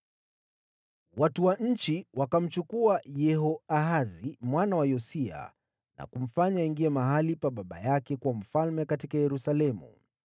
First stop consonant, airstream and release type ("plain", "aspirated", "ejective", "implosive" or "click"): plain